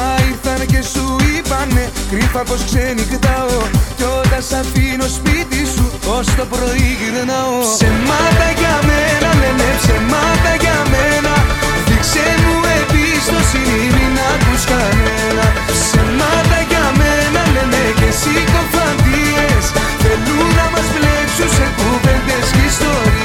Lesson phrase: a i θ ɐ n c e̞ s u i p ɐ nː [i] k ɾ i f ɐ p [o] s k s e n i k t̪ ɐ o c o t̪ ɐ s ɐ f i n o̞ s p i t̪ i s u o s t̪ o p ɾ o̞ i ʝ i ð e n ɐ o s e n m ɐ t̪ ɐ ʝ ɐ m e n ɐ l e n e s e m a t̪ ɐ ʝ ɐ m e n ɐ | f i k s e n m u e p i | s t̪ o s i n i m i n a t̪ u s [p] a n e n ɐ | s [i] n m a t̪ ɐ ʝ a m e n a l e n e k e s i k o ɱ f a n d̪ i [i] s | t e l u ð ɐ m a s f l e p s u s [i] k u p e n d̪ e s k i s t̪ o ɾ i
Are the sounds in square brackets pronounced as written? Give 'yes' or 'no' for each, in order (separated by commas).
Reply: no, yes, no, no, no, no